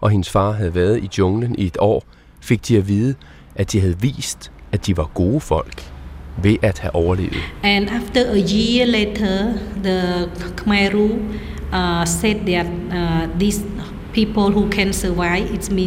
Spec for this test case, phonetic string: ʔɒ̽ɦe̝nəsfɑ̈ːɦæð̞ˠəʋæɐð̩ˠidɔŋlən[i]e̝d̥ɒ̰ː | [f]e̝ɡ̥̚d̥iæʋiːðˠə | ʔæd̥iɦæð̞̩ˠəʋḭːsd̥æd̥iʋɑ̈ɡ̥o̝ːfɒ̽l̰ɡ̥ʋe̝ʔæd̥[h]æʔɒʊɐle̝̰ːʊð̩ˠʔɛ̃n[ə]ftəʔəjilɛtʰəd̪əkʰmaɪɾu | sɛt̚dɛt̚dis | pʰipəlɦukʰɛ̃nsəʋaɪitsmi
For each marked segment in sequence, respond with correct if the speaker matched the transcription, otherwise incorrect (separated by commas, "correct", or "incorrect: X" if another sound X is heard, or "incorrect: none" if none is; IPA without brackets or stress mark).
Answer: correct, correct, correct, incorrect: a